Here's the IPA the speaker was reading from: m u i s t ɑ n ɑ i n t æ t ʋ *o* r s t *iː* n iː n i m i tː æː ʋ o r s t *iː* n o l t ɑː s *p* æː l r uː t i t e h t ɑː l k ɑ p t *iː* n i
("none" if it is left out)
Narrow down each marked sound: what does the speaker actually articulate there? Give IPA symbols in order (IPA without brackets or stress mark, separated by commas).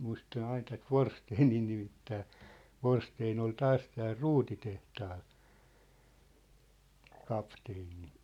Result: o, eː, eː, t, eː